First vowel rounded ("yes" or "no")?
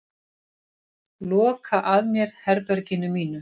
yes